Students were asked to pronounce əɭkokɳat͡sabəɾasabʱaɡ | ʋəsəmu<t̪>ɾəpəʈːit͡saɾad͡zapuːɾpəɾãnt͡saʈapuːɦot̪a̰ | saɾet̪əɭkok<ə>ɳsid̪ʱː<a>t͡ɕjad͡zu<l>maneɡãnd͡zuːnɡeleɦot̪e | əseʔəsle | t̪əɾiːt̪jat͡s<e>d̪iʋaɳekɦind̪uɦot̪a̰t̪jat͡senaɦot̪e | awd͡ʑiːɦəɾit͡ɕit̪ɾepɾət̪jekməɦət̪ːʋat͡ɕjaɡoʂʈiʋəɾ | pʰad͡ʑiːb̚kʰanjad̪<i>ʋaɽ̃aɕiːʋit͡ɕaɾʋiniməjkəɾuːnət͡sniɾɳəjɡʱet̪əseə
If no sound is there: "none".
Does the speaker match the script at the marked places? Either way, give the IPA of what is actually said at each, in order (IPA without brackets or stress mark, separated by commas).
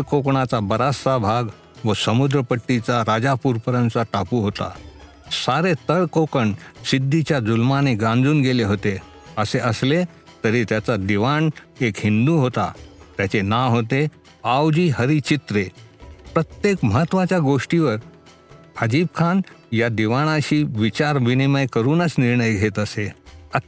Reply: d̪, ə, i, l, a, i